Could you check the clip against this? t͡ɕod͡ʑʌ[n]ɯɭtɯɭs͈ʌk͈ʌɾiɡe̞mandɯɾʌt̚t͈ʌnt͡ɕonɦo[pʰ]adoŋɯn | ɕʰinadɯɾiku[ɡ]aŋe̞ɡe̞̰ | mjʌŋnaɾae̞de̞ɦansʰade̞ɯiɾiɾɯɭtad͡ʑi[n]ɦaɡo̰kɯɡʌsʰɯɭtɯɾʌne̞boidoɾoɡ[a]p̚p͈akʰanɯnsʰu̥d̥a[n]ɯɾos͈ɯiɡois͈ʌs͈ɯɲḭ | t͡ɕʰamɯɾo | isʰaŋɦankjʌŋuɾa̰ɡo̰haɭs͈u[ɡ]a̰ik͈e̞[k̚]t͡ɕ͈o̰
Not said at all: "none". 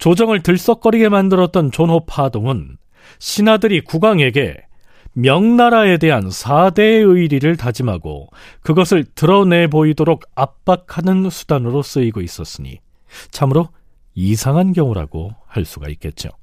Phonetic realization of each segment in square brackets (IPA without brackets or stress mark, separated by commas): ŋ, pʰ, ɡ, m, a, n, ɡ, t̚